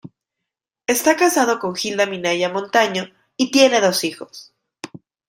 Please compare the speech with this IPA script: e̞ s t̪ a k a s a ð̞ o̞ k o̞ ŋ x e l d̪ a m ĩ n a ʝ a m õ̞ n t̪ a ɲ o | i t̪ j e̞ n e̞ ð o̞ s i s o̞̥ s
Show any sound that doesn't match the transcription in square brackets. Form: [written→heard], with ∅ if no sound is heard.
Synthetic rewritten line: e̞ s t̪ a k a s a ð̞ o̞ k o̞ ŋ x [e→i] l d̪ a m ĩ n a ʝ a m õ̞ n t̪ a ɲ o | i t̪ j e̞ n e̞ ð o̞ s i [s→x] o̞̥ s